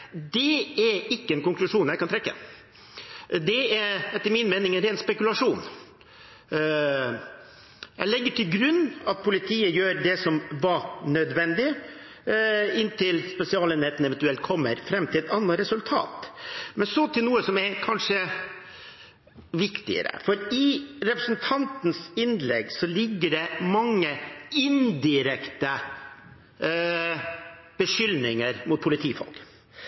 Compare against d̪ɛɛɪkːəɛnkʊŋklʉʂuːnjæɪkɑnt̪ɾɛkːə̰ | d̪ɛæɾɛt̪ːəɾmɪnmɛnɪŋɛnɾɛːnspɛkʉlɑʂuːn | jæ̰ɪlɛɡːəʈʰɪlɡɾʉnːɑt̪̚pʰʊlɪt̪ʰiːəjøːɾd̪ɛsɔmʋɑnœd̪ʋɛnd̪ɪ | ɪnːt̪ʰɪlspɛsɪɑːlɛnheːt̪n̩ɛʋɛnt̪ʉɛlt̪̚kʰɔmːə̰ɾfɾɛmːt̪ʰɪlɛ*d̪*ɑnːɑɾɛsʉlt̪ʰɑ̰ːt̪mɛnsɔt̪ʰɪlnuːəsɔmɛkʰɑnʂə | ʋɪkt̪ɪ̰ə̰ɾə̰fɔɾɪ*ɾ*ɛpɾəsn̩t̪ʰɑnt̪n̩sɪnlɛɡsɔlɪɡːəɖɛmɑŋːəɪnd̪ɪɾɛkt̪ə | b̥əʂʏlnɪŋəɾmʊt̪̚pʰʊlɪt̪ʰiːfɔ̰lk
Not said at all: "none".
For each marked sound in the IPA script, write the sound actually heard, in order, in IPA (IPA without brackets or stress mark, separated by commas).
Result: t̪, ɾ